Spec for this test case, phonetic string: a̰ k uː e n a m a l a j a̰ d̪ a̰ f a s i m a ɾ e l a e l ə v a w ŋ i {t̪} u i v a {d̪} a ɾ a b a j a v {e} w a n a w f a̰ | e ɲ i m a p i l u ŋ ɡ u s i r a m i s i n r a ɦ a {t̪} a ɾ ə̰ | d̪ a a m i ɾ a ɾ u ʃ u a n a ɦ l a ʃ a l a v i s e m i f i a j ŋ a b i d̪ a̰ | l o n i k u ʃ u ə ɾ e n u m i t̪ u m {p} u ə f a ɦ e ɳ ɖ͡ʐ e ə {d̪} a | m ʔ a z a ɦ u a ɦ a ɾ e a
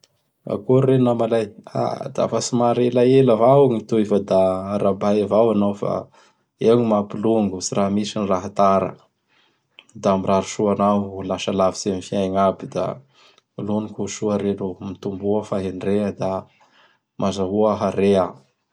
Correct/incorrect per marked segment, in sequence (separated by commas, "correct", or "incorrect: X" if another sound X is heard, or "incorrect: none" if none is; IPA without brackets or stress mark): correct, correct, incorrect: a, correct, incorrect: b, correct